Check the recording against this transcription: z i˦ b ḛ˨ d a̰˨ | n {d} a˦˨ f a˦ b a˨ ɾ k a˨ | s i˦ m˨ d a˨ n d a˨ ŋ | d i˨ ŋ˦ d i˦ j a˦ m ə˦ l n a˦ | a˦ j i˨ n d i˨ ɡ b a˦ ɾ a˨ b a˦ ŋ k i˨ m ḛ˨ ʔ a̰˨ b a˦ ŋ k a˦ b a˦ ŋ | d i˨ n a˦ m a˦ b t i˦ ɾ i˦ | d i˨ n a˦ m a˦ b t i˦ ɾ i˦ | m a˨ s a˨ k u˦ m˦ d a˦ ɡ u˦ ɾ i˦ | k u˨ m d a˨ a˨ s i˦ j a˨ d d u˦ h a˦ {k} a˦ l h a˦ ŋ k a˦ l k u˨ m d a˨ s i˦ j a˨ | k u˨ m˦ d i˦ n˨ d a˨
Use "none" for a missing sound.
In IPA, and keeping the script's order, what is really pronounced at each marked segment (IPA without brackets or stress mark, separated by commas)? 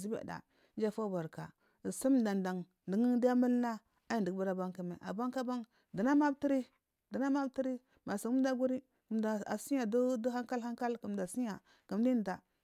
d͡ʒ, k